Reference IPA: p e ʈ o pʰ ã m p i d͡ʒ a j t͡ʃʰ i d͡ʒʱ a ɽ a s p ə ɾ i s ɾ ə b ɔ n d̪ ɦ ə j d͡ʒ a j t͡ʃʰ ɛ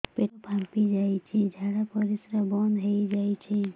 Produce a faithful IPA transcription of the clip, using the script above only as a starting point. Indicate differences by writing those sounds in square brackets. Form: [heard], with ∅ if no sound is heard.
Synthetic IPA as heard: p e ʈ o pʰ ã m p i d͡ʒ a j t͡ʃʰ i d͡ʒʱ a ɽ a [∅] p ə ɾ i s ɾ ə b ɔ n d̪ ɦ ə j d͡ʒ a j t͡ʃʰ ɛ